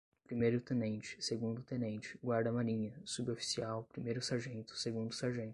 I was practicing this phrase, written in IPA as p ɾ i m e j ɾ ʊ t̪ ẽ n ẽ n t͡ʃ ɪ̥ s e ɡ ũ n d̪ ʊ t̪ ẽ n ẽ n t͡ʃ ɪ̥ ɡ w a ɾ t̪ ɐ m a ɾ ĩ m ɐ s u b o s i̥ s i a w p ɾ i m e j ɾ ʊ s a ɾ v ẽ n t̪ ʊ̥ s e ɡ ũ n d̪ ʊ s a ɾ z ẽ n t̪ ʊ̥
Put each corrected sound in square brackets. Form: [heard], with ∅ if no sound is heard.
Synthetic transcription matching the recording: p ɾ i m e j ɾ ʊ t̪ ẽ n ẽ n t͡ʃ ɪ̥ s e ɡ ũ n d̪ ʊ t̪ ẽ n ẽ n t͡ʃ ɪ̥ ɡ w a ɾ [d̪] ɐ m a ɾ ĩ [ɲ] ɐ s u b o [f] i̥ s i a w p ɾ i m e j ɾ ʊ s a ɾ [ʒ] ẽ n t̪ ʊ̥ s e ɡ ũ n d̪ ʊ s a ɾ [ʒ] ẽ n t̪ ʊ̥